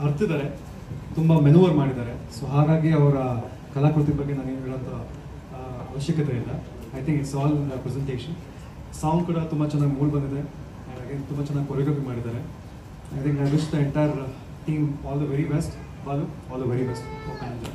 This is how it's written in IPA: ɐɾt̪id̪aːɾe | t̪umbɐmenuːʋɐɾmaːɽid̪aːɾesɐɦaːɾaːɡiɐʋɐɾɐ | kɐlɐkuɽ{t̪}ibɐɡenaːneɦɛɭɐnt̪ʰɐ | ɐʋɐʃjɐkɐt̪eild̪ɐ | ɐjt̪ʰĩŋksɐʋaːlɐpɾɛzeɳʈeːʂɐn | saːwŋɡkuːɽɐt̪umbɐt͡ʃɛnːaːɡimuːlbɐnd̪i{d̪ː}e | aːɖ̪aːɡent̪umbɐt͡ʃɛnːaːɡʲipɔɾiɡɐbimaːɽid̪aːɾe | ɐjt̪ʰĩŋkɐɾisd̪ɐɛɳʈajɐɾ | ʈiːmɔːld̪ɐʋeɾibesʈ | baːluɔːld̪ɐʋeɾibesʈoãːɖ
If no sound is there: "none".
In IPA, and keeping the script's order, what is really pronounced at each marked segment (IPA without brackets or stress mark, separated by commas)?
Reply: t̪, d̪